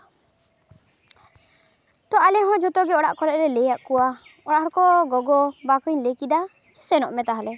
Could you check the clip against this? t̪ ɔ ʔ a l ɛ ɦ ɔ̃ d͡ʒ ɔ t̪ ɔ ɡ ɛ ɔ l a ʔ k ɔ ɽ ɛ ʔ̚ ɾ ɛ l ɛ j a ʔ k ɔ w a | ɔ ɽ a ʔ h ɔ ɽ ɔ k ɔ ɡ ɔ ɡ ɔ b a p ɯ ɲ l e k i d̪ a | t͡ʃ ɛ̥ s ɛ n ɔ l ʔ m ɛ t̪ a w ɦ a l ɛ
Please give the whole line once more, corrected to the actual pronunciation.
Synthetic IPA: t̪ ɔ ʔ a l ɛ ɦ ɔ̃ d͡ʒ ɔ t̪ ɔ ɡ ɛ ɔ ɽ a ʔ k ɔ l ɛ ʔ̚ ɾ ɛ l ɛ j a ʔ k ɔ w a | ɔ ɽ a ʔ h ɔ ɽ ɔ k ɔ ɡ ɔ ɡ ɔ b a k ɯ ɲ l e k i d̪ a | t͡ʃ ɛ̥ s ɛ n ɔ ʔ m ɛ t̪ a ɦ a l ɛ